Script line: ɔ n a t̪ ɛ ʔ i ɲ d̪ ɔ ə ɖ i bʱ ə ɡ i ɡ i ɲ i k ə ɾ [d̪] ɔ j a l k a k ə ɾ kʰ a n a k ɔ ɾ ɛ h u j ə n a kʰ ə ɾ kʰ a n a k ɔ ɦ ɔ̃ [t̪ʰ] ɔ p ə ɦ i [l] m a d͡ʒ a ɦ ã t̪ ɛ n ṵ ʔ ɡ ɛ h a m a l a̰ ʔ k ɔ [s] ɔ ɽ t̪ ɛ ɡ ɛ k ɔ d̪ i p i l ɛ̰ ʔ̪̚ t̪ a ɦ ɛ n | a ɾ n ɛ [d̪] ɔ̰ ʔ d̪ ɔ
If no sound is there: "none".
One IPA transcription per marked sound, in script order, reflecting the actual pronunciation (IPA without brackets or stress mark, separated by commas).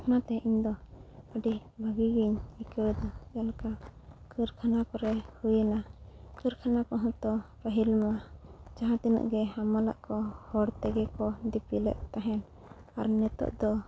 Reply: d̪, t̪, l, h, t̪